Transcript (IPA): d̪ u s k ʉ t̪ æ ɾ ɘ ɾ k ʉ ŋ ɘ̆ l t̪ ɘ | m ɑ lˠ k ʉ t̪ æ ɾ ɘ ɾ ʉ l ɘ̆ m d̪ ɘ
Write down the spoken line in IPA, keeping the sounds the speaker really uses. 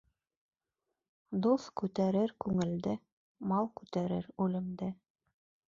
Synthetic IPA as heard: d̪ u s k ʉ t̪ æ ɾ ɘ ɾ k ʉ ŋ ɘ̆ l d̪ ɘ | m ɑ lˠ k ʉ t̪ æ ɾ ɘ ɾ ʉ l ɘ̆ m d̪ ɘ